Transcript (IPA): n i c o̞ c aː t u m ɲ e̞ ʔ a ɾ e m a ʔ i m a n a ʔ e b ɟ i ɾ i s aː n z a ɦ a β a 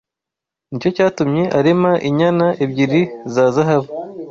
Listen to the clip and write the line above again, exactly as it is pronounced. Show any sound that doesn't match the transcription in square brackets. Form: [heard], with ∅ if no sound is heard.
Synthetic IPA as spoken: n i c o̞ c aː t u m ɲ e̞ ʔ a ɾ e m a ʔ i [ɲ] a n a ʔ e b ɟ i ɾ i [z] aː [∅] z a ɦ a β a